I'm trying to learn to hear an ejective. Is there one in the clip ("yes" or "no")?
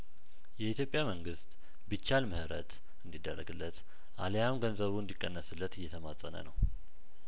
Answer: yes